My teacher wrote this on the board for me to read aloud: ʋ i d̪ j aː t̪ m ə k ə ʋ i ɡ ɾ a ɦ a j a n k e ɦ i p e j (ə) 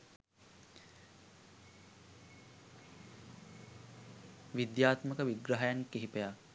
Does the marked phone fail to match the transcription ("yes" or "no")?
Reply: yes